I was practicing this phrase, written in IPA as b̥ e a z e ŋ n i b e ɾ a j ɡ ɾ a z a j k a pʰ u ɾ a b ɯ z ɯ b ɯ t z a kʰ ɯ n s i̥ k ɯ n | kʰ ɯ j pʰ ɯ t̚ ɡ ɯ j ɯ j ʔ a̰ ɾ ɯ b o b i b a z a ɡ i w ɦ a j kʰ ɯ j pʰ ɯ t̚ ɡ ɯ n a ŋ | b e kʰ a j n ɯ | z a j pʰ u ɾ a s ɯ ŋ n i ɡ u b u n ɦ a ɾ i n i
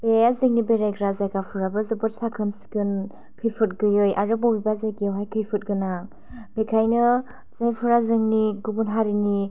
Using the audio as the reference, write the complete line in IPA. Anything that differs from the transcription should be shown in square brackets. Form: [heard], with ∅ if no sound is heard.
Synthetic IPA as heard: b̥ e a z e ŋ n i b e ɾ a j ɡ ɾ a z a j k a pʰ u ɾ a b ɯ z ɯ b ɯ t [s] a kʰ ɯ n s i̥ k ɯ n | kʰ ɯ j pʰ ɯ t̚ ɡ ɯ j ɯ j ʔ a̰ ɾ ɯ b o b i b a z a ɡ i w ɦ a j kʰ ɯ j pʰ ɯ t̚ ɡ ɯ n a ŋ | b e kʰ a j n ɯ | z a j pʰ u ɾ a [z] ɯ ŋ n i ɡ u b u n ɦ a ɾ i n i

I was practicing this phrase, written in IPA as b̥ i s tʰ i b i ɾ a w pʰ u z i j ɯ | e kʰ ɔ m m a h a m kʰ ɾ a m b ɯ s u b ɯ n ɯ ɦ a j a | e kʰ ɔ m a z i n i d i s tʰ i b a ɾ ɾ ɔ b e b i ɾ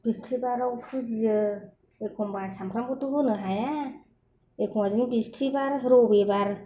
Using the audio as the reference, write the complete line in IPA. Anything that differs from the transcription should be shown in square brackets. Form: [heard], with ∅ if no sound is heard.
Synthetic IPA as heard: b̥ i s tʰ i b [a] ɾ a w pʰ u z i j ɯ | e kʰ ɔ m [b] a [s] a m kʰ ɾ a m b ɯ [t] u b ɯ n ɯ ɦ a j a | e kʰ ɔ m a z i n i [b] i s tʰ i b a ɾ ɾ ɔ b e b [a] ɾ

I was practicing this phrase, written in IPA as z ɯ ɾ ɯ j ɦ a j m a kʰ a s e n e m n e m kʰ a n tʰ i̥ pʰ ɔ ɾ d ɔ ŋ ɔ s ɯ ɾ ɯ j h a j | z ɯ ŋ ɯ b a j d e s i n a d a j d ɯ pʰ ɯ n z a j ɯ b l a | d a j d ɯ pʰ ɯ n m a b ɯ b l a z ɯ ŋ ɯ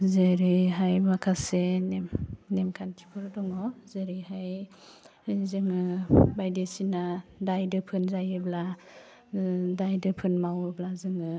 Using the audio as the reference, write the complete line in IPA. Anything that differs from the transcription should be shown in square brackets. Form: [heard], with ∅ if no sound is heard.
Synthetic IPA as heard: z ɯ ɾ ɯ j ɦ a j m a kʰ a s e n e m n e m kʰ a n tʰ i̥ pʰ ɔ ɾ d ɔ ŋ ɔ [z] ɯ ɾ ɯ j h a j | z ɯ ŋ ɯ b a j d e s i n a d a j d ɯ pʰ ɯ n z a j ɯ b l a | d a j d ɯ pʰ ɯ n m a [w] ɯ b l a z ɯ ŋ ɯ

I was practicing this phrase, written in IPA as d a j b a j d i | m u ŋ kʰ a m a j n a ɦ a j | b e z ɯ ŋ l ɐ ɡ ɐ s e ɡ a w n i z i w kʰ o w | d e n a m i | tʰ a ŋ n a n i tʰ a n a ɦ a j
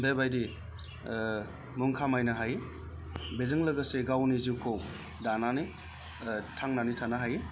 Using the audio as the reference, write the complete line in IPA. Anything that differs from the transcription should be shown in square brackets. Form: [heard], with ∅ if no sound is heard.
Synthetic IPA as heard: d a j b a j d i | m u ŋ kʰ a m a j n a ɦ a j | b e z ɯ ŋ l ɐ ɡ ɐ s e ɡ a w n i z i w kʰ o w | d [a] n a [n] i | tʰ a ŋ n a n i tʰ a n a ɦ a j

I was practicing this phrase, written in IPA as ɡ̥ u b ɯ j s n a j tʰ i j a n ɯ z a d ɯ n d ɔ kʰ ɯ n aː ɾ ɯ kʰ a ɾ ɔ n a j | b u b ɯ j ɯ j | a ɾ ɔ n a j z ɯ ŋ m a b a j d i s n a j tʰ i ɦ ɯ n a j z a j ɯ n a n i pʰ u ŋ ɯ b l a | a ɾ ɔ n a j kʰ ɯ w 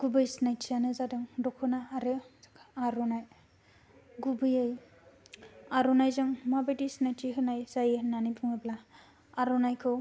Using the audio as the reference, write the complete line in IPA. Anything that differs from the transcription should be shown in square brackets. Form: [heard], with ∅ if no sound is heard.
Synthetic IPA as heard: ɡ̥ u b ɯ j s n a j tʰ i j a n ɯ z a d ɯ [ŋ] d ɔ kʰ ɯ n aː ɾ ɯ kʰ a ɾ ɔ n a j | [ɡ] u b ɯ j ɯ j | a ɾ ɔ n a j z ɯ ŋ m a b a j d i s n a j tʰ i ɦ ɯ n a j z a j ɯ n a n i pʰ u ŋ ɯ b l a | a ɾ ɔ n a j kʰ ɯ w

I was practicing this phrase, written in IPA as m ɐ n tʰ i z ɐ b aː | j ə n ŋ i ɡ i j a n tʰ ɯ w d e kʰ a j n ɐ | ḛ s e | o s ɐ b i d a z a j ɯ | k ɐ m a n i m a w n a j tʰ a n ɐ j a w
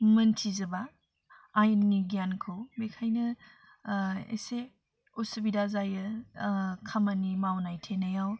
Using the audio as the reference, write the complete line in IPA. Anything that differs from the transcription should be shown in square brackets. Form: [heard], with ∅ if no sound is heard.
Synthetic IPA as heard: m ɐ n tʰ i z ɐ b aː | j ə n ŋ i ɡ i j a n [kʰ] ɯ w [b] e kʰ a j n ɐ | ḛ s e | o s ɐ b i d a z a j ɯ | [kʰ] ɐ m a n i m a w n a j tʰ [e] n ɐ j a w

